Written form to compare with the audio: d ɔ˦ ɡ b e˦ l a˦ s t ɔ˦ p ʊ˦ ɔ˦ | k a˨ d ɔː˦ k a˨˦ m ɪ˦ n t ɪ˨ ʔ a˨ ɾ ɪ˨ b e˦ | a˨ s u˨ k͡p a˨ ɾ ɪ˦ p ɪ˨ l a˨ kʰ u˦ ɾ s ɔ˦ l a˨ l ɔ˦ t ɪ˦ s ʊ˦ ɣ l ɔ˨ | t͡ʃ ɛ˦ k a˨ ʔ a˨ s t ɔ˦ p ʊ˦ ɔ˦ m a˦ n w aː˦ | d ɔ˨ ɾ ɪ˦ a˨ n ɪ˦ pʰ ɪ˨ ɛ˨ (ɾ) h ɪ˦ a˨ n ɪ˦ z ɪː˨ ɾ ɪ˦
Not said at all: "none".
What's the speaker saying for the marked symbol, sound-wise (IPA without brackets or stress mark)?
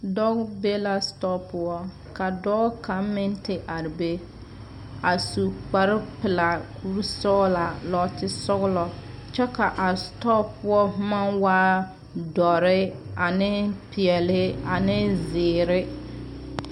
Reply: l